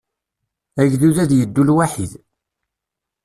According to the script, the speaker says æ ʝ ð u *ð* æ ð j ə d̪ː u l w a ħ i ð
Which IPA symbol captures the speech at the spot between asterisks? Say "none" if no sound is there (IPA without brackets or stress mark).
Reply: ð